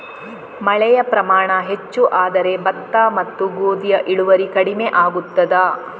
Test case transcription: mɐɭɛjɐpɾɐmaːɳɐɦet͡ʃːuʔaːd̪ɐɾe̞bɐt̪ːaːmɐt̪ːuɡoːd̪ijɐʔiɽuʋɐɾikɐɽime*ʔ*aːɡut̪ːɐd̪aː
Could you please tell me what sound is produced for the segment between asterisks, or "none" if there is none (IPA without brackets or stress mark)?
ʔ